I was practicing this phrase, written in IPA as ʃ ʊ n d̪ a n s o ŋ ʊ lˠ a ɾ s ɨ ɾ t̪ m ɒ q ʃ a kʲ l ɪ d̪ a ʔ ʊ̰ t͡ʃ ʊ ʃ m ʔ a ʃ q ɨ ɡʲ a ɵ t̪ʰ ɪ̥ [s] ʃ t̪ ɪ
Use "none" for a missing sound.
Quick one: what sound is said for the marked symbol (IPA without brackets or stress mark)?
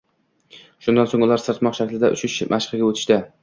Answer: none